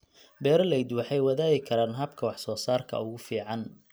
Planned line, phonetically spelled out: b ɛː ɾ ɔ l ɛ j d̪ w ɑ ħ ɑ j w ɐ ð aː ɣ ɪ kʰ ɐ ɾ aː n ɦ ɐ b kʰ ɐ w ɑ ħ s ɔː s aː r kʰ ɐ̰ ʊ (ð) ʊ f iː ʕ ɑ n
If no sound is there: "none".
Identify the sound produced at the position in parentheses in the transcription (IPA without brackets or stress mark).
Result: ɣ